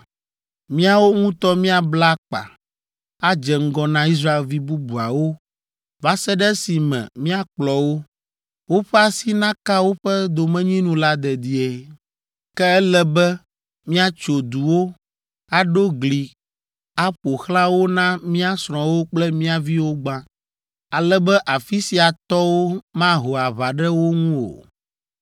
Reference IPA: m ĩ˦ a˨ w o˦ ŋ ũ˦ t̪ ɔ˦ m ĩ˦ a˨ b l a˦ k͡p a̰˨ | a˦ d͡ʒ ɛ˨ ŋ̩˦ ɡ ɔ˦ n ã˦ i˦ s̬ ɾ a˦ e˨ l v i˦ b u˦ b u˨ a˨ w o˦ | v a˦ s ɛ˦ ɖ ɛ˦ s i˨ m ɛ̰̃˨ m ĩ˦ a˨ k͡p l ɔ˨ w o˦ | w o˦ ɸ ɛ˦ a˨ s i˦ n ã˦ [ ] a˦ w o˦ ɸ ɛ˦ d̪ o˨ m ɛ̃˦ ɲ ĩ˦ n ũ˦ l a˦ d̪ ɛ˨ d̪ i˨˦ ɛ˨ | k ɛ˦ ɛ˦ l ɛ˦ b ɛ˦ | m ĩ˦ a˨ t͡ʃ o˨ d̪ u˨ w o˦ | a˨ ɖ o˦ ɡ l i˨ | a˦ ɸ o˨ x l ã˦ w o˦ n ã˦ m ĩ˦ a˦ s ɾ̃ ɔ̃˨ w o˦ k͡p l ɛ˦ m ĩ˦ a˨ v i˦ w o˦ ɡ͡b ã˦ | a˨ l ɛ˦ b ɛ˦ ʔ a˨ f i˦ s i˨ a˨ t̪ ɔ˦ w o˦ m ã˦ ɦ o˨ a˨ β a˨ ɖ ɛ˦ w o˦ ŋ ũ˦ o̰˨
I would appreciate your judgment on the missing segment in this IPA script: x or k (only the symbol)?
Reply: k